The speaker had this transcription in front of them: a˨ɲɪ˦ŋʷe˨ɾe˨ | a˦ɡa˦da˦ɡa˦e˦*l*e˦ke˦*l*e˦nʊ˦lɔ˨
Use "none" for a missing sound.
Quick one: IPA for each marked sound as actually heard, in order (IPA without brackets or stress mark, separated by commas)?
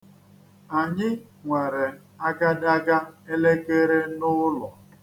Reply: l, ɾ